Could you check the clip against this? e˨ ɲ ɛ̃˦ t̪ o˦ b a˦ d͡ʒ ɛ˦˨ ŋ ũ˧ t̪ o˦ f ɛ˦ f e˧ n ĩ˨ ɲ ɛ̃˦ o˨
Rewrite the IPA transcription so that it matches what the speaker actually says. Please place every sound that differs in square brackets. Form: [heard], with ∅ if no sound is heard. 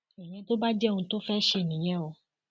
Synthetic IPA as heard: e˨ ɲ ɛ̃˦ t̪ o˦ b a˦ d͡ʒ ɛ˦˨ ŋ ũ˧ t̪ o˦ f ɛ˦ [ʃ] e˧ n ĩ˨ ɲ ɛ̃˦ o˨